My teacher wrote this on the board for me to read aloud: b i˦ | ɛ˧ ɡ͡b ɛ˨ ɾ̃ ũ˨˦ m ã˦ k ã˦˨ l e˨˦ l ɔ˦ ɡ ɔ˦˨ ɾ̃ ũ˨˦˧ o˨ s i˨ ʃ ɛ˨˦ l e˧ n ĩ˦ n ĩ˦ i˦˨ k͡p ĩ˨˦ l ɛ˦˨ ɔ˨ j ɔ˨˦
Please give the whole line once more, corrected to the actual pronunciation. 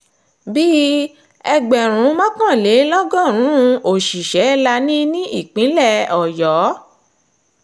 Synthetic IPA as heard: b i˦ | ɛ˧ ɡ͡b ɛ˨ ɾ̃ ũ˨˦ m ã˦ k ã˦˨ l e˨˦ l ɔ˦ ɡ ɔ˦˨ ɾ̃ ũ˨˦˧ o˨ ʃ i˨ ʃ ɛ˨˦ l a˧ n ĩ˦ n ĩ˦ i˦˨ k͡p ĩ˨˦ l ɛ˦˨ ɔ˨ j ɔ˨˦